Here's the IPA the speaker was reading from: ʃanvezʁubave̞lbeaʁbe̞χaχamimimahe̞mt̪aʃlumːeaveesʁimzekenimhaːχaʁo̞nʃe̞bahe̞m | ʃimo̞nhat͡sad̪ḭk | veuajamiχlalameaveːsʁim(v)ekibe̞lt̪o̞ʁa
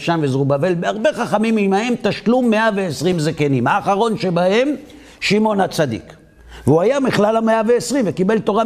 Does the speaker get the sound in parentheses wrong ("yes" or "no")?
no